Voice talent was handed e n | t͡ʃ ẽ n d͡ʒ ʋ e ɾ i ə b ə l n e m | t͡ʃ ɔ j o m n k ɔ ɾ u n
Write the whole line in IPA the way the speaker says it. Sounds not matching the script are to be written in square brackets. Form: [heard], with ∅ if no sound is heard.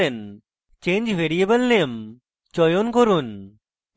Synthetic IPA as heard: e n | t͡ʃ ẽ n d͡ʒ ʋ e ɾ i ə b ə l n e m | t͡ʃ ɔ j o [∅] n k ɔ ɾ u n